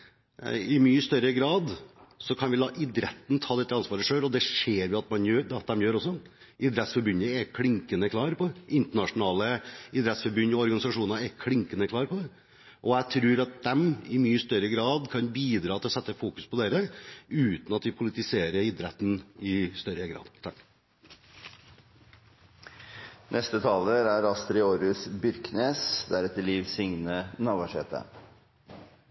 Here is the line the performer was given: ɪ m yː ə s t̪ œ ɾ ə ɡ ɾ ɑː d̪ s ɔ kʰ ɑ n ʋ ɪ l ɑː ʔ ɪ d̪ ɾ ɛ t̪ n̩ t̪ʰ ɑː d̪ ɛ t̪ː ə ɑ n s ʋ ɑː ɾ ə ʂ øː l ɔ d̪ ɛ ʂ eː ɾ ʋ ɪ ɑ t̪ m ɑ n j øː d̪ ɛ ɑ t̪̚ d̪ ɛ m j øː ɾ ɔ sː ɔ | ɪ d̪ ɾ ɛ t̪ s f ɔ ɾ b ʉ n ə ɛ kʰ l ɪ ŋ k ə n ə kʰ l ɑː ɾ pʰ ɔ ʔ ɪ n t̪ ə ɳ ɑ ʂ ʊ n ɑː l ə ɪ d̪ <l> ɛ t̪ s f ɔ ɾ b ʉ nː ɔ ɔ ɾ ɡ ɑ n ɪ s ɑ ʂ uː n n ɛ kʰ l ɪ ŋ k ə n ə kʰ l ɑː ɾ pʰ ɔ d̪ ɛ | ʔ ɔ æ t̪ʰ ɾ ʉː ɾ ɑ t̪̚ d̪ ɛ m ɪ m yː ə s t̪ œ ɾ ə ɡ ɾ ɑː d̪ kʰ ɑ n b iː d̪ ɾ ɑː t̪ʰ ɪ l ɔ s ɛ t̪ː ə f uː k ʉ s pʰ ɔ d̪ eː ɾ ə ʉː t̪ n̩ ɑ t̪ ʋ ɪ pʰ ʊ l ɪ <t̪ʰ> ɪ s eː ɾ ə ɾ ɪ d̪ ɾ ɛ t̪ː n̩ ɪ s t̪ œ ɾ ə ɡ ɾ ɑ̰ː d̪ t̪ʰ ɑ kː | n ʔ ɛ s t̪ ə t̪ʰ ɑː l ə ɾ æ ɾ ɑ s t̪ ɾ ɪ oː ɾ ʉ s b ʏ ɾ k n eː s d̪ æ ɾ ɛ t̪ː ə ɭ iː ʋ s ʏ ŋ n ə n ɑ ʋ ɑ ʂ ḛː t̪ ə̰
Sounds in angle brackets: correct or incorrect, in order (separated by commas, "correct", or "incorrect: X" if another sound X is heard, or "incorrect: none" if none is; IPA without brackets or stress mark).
incorrect: ɾ, incorrect: t̪